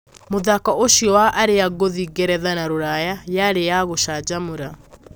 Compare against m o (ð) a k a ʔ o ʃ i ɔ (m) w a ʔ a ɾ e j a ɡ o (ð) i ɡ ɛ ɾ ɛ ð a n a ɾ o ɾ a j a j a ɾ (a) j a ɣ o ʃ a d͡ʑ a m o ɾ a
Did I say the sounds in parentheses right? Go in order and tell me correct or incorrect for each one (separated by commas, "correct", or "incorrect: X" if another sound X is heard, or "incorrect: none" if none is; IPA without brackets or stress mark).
correct, incorrect: none, correct, incorrect: e